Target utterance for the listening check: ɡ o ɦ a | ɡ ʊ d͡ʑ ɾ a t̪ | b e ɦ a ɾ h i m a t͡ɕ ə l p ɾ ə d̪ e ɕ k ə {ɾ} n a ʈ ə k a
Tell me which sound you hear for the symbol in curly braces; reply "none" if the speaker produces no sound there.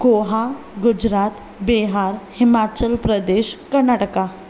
ɾ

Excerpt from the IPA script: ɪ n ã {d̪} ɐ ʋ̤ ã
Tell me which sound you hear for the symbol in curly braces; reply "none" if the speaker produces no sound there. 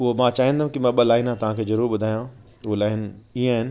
t̪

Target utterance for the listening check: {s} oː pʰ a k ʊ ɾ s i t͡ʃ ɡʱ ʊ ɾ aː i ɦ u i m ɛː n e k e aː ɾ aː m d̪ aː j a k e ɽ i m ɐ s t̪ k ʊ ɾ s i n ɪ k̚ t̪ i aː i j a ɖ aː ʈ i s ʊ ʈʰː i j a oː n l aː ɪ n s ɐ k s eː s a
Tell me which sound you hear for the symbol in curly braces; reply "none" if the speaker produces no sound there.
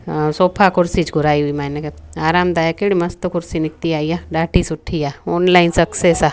s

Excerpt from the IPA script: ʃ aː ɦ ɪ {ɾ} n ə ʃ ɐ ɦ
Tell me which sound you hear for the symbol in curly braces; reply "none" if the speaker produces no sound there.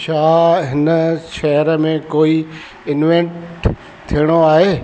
none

